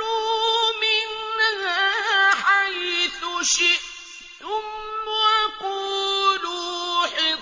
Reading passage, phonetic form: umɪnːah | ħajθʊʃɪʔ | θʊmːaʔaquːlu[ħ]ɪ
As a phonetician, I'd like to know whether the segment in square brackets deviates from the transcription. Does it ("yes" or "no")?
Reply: no